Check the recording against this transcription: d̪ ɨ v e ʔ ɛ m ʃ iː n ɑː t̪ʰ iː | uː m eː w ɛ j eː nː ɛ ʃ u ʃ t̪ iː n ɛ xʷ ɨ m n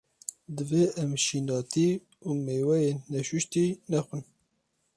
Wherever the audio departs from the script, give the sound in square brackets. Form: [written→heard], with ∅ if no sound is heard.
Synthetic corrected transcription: d̪ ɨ v e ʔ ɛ m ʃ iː n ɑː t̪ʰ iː | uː m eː w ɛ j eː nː ɛ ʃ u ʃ t̪ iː n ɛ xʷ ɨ [m→∅] n